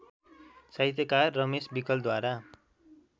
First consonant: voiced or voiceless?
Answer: voiceless